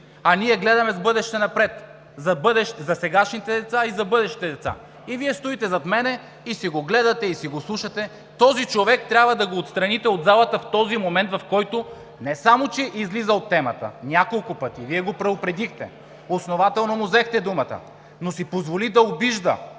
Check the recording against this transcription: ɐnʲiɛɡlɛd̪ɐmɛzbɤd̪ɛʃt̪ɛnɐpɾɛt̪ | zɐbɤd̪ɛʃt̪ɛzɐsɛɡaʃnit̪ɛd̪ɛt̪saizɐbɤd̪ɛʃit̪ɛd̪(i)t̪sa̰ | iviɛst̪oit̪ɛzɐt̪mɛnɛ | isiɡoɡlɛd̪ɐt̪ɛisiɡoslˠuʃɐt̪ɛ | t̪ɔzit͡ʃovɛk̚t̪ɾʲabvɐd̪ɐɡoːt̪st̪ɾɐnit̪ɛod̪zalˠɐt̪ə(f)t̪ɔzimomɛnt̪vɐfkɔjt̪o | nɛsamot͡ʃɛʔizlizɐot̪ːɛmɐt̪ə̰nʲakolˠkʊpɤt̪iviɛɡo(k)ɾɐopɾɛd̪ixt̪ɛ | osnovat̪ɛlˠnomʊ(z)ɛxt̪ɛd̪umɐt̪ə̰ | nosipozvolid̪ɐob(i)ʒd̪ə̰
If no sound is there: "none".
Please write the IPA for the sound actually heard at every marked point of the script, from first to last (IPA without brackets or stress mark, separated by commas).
ɛ, f, p, z, i